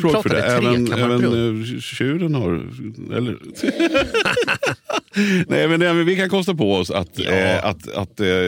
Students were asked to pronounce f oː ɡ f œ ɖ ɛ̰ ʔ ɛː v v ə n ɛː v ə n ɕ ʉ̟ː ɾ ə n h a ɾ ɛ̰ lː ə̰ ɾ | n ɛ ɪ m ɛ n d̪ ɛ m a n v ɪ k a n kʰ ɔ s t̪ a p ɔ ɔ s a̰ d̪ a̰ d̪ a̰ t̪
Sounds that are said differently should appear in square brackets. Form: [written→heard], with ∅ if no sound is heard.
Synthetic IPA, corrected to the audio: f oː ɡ f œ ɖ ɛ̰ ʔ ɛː v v ə n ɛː v ə n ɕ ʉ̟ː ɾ ə n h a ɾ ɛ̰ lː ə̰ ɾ | n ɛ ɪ m ɛ n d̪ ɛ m [a→ɛ] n v ɪ k a n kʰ ɔ s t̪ a p ɔ ɔ s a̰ [d̪→t̪] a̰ [d̪→t̪] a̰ t̪